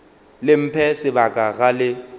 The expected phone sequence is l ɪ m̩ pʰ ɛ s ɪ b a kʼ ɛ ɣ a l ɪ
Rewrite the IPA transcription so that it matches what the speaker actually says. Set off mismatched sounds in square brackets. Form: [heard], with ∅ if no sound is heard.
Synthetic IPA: l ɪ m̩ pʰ ɛ s ɪ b a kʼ [a] ɣ a l ɪ